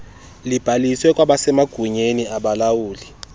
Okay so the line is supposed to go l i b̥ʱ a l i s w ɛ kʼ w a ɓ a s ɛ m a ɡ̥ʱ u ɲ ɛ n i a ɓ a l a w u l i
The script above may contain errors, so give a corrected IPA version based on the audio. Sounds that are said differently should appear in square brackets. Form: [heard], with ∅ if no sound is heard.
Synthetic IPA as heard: l i b̥ʱ a l i s w ɛ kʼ w a ɓ a s ɛ m a ɡ̥ʱ u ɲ [e] n i a ɓ a l a w [uː] l i